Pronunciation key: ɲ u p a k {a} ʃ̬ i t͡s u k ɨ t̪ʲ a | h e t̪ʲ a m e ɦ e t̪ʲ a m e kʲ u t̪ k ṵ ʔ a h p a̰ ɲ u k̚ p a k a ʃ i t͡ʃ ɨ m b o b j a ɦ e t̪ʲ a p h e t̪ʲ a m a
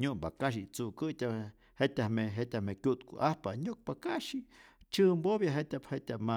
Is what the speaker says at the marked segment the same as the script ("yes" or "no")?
yes